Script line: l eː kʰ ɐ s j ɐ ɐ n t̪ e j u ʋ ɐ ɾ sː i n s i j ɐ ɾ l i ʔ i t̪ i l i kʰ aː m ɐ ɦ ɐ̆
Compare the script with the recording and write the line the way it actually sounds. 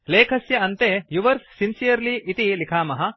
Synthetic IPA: l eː kʰ ɐ s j ɐ ɐ n t̪ e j u ʋ ɐ ɾ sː i n s i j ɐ ɾ l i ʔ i t̪ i l i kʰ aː m ɐ ɦ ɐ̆